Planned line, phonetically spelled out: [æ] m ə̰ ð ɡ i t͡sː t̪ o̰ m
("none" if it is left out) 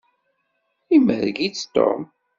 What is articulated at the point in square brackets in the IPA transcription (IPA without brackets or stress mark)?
i